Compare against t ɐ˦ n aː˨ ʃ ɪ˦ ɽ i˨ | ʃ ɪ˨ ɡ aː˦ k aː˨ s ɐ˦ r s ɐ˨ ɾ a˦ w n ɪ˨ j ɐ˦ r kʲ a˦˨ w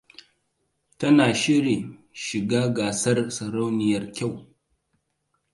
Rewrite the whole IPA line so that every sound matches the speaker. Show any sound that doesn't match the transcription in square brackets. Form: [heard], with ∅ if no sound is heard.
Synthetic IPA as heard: t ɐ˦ n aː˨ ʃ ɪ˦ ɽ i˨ | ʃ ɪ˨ ɡ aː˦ [ɡ] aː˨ s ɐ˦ r s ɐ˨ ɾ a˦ w n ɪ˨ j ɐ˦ r kʲ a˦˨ w